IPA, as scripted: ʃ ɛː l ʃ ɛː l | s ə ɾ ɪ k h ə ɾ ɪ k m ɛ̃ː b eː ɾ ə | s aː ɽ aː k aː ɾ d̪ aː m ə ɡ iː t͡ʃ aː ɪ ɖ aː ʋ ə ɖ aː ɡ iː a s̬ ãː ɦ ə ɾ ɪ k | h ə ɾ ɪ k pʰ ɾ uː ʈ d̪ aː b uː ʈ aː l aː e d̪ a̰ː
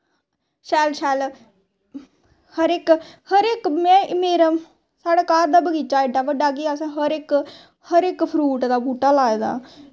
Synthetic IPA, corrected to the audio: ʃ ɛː l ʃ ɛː l | h ə ɾ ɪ k h ə ɾ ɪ k m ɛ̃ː m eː ɾ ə | s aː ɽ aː k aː ɾ d̪ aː b ə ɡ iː t͡ʃ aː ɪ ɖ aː ʋ ə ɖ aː ɡ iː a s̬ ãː ɦ ə ɾ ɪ k | h ə ɾ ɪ k pʰ ɾ uː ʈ d̪ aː b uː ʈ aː l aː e d̪ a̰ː